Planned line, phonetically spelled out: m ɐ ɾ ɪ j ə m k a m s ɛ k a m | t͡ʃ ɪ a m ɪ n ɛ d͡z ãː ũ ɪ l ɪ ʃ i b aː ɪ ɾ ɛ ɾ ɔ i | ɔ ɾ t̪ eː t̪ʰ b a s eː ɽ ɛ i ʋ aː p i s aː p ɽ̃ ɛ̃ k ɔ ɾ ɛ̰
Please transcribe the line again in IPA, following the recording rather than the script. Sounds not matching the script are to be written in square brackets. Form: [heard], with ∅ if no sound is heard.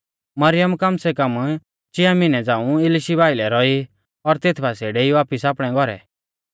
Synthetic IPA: m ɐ ɾ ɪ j ə m k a m s ɛ k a m | t͡ʃ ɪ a m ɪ n ɛ d͡z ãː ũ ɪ l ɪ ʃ i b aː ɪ [l] ɛ ɾ ɔ i | ɔ ɾ t̪ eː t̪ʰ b a s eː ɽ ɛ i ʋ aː p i s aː p ɽ̃ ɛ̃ [ɡ] ɔ ɾ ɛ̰

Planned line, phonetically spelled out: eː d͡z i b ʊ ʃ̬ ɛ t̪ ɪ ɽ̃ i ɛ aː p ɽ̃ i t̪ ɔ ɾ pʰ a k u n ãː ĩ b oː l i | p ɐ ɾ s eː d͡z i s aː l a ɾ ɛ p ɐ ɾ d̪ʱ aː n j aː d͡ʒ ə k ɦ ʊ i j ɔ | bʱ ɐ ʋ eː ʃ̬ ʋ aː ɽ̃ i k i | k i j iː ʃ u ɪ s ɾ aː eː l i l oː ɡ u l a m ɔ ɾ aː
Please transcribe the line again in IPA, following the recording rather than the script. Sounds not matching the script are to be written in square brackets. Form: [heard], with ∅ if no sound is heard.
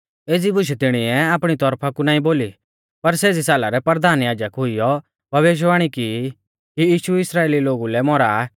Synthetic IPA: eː d͡z i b ʊ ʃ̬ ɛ t̪ ɪ ɽ̃ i ɛ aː p ɽ̃ i t̪ ɔ ɾ pʰ a k u n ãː ĩ b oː l i | p ɐ ɾ s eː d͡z i s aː l a ɾ ɛ p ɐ ɾ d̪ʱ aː n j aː d͡ʒ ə k ɦ ʊ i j ɔ | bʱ ɐ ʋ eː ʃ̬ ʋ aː ɽ̃ i k i | k i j iː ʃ u ɪ s ɾ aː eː l i l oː ɡ u l [ɛ] m ɔ ɾ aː

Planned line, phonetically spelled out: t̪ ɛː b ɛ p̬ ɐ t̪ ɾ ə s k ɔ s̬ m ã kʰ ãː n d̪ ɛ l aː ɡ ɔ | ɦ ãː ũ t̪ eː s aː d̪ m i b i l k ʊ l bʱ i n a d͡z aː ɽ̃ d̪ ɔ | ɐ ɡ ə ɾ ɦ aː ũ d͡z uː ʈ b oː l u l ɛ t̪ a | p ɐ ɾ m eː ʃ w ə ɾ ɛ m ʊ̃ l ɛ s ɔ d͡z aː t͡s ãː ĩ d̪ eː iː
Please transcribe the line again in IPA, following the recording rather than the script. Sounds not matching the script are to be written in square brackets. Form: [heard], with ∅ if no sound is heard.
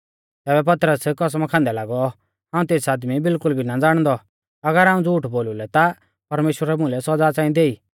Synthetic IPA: t̪ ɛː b ɛ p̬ ɐ t̪ ɾ ə s k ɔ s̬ m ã kʰ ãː n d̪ ɛ l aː ɡ ɔ | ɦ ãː ũ t̪ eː s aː d̪ m i b [ɪ] l k ʊ l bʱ i n a d͡z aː ɽ̃ d̪ ɔ | ɐ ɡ ə ɾ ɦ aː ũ d͡z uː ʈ b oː l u l ɛ t̪ a | p ɐ ɾ m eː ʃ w ə ɾ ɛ m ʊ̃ l ɛ s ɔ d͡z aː t͡s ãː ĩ d̪ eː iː

